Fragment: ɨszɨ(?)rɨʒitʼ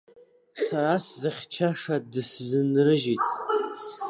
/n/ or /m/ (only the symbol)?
n